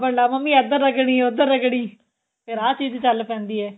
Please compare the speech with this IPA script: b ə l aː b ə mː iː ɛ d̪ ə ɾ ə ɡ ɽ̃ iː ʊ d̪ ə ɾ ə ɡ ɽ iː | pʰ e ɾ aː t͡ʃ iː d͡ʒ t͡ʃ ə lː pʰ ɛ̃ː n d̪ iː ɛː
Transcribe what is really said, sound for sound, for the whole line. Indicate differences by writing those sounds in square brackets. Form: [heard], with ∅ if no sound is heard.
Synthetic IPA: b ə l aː [m] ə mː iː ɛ d̪ ə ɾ ə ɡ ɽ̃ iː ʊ d̪ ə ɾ ə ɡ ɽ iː | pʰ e ɾ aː t͡ʃ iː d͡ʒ t͡ʃ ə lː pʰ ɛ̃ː n d̪ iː ɛː